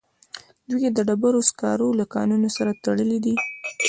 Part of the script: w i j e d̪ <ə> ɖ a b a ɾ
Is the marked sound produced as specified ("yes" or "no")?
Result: yes